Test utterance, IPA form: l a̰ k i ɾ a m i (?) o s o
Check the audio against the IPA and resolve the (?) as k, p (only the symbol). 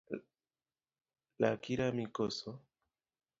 k